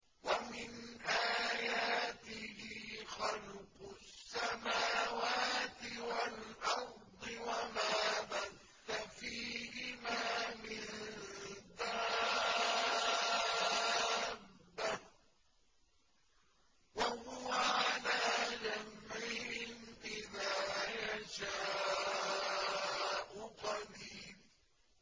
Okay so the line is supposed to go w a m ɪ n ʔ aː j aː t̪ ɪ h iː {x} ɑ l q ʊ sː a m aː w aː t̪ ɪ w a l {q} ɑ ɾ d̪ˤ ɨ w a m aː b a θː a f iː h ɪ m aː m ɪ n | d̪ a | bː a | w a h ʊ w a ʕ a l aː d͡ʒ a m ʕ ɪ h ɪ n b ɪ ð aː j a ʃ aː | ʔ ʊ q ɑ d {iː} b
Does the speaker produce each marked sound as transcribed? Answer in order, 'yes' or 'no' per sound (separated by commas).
yes, no, yes